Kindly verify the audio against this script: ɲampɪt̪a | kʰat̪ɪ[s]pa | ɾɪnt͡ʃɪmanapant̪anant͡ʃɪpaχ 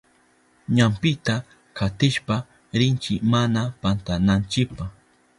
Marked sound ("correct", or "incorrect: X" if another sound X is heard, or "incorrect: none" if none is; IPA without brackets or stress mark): incorrect: ʃ